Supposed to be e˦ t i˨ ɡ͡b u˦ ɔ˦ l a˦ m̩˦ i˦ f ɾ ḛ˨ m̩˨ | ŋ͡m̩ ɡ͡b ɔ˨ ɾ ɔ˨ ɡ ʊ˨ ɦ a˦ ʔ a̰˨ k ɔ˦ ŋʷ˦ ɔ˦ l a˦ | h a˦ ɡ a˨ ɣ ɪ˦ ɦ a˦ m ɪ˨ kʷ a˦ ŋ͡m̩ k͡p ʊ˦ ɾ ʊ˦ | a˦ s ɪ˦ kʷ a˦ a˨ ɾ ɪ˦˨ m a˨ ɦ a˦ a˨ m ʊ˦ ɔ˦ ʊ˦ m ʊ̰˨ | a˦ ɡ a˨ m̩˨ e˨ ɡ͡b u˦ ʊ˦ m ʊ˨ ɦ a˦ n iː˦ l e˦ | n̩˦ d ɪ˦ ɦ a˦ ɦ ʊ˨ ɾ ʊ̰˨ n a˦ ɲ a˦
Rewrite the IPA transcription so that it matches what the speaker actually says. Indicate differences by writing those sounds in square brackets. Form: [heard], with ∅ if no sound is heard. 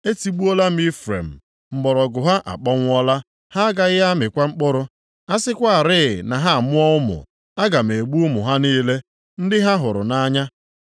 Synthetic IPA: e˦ t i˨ ɡ͡b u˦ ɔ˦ l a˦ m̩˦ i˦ f ɾ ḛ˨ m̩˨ | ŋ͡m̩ ɡ͡b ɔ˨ ɾ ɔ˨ ɡ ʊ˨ ɦ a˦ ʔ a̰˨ [k͡p] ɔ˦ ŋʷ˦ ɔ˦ l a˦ | h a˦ ɡ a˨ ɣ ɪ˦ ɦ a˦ m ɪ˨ kʷ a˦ ŋ͡m̩ k͡p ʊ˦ ɾ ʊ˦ | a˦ s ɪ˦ kʷ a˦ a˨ ɾ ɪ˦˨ [n] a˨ ɦ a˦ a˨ m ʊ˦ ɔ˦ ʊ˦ m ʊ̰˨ | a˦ ɡ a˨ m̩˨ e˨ ɡ͡b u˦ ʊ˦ m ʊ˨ ɦ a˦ n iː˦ l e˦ | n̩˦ d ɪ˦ ɦ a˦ ɦ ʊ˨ ɾ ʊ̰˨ n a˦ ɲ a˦